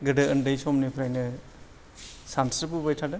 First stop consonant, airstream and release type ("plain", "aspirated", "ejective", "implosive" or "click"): plain